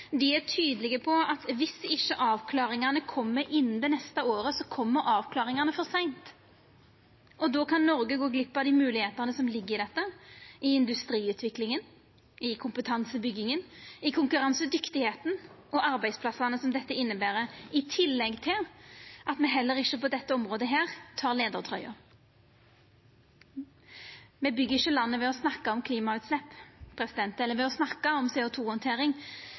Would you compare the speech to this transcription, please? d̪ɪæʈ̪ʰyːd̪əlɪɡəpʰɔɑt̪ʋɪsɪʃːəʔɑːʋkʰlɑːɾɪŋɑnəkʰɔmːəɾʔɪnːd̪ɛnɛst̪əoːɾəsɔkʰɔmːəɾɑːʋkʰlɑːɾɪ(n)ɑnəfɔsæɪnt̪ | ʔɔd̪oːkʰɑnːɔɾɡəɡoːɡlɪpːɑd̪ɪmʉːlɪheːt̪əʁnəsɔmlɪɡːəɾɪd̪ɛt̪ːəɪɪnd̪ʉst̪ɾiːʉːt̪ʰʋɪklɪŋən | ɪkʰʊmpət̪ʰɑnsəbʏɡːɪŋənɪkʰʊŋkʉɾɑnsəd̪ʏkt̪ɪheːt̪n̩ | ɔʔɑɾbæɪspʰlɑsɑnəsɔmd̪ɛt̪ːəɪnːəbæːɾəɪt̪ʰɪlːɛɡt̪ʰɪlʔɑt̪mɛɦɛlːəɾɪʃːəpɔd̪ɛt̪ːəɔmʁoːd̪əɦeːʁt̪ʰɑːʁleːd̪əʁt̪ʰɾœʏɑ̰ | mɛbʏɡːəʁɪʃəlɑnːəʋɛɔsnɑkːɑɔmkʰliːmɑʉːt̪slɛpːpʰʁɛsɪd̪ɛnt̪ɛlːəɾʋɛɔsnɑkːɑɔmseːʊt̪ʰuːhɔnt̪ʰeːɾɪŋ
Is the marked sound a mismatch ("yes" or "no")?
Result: yes